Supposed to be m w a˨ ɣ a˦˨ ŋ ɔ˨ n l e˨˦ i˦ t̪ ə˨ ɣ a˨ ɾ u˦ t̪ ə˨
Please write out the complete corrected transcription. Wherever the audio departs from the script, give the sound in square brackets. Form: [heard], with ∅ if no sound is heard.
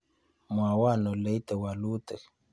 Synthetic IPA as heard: m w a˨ [w] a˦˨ [n] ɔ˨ [∅] l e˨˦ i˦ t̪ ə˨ [w] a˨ [l] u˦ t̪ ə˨